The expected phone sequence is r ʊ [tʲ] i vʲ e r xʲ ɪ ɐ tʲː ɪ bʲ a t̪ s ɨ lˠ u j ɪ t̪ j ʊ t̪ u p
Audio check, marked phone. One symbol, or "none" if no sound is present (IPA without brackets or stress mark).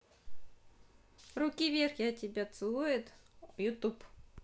kʲ